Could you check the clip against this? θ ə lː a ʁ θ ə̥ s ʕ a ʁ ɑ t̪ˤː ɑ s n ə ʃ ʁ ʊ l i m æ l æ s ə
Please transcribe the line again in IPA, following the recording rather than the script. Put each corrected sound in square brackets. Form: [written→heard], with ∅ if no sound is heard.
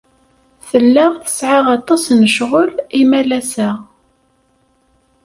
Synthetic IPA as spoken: θ ə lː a ʁ θ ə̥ s ʕ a ʁ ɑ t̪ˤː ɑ s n ə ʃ ʁ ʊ l i m æ l æ s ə